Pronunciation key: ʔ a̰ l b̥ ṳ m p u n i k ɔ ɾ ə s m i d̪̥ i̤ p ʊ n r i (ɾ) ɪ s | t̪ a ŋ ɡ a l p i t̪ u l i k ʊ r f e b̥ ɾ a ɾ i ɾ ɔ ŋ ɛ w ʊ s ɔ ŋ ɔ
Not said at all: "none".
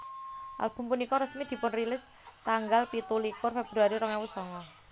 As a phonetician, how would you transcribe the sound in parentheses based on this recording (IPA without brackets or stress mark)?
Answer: l